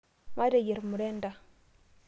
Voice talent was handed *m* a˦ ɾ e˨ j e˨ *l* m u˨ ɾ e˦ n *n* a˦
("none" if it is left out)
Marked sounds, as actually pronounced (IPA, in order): m, ɾ, d

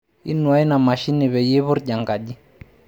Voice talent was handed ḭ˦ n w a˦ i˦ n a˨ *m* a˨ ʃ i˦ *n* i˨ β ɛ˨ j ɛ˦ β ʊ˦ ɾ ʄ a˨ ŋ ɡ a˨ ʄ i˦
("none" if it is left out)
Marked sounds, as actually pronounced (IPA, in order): m, n

